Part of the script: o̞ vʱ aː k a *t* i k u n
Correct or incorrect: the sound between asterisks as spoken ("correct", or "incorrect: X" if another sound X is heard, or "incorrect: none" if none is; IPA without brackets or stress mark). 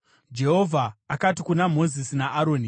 correct